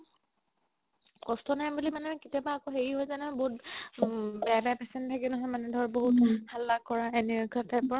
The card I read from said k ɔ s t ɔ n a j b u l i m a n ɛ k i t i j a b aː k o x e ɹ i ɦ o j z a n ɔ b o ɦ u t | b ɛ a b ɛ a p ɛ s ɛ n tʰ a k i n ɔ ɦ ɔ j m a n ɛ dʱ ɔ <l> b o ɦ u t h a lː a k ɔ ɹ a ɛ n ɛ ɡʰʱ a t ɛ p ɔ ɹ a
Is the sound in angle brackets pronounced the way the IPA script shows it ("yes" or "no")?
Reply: no